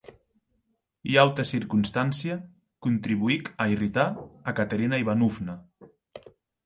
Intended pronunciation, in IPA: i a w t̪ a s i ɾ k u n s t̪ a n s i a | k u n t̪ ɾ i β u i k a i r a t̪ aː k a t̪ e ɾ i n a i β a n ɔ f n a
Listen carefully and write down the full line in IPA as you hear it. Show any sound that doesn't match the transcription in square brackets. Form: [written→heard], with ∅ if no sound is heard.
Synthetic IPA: i a w t̪ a s i ɾ k u n s t̪ a n s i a | k u n t̪ ɾ i β u i k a i r [a→i] t̪ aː k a t̪ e ɾ i n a i β a n [ɔ→u] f n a

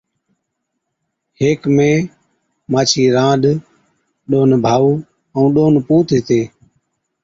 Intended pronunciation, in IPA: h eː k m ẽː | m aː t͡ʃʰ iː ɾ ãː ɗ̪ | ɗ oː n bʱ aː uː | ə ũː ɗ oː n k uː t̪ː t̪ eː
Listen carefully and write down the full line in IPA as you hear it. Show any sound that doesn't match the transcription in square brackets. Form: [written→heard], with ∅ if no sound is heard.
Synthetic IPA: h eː k m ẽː | m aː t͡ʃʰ iː ɾ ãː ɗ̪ | ɗ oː n bʱ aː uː | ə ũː ɗ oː n [k→p] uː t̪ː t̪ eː

